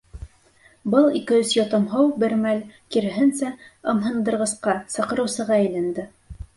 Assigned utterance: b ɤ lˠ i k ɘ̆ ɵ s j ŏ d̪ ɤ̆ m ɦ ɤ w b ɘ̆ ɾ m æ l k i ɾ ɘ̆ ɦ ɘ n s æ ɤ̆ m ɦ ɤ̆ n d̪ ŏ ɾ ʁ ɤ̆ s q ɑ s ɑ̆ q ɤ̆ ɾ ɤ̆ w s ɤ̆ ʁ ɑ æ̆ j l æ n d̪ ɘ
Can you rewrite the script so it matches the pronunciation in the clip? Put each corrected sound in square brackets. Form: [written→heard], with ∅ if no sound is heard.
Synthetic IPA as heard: b ɤ lˠ i k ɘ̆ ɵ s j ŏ [d̪→t̪] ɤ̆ m ɦ ɤ w b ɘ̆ ɾ m æ l k i ɾ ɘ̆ ɦ ɘ n s æ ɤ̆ m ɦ ɤ̆ n d̪ [ŏ→ɤ̆] ɾ ʁ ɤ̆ s q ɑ s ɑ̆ q ɤ̆ ɾ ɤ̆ w s ɤ̆ ʁ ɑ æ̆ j l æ n d̪ ɘ